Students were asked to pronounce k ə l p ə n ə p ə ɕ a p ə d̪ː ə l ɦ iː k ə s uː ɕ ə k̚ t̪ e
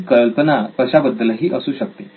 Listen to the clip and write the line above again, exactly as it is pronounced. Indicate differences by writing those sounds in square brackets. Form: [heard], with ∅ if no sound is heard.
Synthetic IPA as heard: k ə l p ə n [a] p ə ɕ a [b] ə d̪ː ə l ɦ iː [ʔ] ə s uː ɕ ə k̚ t̪ e